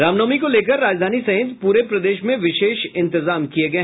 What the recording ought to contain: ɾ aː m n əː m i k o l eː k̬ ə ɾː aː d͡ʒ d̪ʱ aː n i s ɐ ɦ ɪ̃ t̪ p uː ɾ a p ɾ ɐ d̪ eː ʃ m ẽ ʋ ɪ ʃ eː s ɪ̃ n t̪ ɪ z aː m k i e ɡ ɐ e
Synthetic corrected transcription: ɾ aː m n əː m i k o l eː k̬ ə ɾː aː d͡ʒ d̪ʱ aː n i s ɐ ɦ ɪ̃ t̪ p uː ɾ e p ɾ ɐ d̪ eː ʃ m ẽ ʋ ɪ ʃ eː ʃ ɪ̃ n t̪ ɪ z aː m k i e ɡ ɐ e